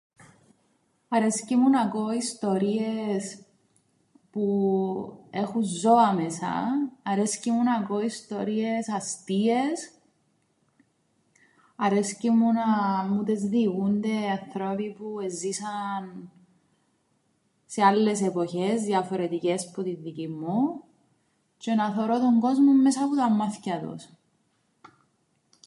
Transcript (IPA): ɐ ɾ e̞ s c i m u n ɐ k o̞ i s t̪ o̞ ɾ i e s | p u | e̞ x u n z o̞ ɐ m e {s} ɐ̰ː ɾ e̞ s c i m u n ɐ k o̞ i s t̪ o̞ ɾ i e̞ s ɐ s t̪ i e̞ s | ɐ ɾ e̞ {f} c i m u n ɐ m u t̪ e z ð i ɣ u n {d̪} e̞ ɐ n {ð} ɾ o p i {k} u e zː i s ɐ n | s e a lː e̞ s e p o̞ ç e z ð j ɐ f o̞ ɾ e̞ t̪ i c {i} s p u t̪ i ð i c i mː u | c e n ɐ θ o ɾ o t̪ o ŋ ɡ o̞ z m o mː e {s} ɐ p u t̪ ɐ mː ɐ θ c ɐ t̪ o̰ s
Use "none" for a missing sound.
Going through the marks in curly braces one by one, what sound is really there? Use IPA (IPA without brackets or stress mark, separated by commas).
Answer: s, s, d̪, θ, p, e, s